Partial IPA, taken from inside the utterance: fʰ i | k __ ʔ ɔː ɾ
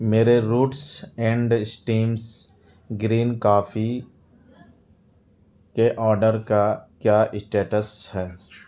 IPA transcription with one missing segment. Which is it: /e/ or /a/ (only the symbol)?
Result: e